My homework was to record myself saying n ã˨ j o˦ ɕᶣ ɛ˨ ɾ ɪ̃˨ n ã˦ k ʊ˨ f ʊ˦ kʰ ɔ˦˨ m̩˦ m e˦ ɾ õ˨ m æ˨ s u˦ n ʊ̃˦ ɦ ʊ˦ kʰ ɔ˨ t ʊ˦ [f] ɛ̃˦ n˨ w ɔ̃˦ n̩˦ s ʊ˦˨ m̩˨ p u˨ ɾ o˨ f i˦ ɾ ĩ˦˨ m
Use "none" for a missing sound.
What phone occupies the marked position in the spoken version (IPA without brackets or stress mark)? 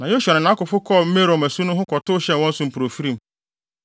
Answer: ɕ